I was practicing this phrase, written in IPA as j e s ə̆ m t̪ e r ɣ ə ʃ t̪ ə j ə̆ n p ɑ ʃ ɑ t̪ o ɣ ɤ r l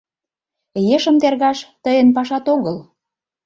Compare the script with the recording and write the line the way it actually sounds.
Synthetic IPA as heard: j e ʃ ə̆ m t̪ e r ɣ ɑ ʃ t̪ ə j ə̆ n p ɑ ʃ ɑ t̪ o ɣ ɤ l